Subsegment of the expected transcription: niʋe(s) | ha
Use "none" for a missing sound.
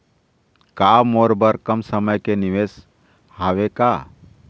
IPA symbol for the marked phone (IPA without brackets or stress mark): s